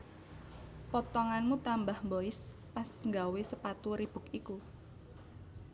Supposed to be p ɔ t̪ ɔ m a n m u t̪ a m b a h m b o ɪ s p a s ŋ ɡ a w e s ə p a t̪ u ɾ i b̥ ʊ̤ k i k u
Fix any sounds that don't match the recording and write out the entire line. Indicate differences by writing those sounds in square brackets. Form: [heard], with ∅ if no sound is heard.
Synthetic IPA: p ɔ t̪ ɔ [ŋ] a n m u t̪ a m b a h m b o ɪ s p a s ŋ ɡ a w e s ə p a t̪ u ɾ i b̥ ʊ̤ k i k u